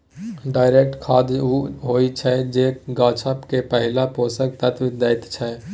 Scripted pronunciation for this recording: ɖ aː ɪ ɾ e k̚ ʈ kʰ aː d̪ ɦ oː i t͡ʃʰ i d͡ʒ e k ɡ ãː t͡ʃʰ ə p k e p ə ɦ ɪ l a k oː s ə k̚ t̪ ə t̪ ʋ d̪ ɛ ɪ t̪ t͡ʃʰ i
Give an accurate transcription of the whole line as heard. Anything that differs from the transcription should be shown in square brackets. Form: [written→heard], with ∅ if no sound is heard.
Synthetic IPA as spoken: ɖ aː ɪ ɾ e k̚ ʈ kʰ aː d̪ ɦ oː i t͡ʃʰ [i→ɛ] d͡ʒ e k ɡ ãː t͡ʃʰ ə p k e p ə ɦ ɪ l a [k→p] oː s ə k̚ t̪ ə t̪ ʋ d̪ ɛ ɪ t̪ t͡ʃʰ [i→ɛ]